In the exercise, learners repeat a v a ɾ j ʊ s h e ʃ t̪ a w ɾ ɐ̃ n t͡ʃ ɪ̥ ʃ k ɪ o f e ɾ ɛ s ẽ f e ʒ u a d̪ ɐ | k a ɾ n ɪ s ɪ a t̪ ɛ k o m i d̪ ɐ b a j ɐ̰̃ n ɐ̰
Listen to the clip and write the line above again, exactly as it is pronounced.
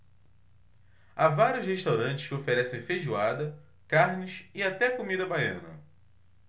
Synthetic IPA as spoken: a v a ɾ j ʊ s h e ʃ t̪ a w ɾ ɐ̃ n t͡ʃ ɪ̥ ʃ k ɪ o f e ɾ ɛ s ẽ f e ʒ u a d̪ ɐ | k a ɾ n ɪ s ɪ a t̪ ɛ k o m i d̪ ɐ b a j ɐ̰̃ n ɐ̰